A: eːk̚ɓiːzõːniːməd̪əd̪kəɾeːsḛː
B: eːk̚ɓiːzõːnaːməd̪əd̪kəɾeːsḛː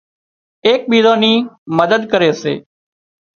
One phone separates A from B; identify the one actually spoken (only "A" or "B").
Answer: A